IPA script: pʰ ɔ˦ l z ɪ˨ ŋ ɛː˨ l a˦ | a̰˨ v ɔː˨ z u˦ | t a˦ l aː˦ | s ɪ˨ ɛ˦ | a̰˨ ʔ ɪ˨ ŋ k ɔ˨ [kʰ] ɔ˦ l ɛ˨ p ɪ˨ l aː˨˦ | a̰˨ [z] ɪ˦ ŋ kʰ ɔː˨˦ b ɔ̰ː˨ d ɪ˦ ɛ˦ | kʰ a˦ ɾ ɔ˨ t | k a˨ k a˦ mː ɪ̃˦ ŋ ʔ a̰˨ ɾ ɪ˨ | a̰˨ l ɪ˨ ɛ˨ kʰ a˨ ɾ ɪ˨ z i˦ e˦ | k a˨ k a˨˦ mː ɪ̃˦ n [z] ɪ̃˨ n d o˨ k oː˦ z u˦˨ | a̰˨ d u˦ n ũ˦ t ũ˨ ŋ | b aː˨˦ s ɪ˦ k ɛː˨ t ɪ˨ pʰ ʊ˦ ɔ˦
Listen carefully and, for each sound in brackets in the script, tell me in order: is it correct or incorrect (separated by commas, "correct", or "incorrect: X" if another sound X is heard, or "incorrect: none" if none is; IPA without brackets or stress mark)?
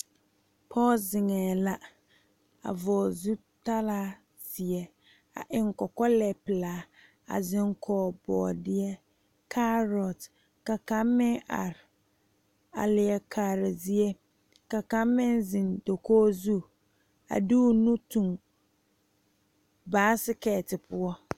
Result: incorrect: k, correct, correct